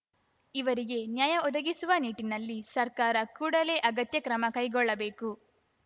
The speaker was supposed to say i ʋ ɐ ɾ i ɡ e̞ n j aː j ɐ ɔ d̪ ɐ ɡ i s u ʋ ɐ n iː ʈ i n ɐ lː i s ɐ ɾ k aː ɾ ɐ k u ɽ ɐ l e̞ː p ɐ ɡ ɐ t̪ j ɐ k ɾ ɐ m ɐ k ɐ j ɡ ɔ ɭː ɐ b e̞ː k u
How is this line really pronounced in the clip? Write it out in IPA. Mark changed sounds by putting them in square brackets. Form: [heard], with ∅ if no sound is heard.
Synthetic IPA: i ʋ ɐ ɾ i ɡ e̞ n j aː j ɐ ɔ d̪ ɐ ɡ i s u ʋ ɐ n iː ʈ i n ɐ lː i s ɐ ɾ k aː ɾ ɐ k [uː] ɽ ɐ l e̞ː [ʔ] ɐ ɡ ɐ t̪ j ɐ k ɾ ɐ m ɐ k ɐ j ɡ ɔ ɭː ɐ b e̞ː k u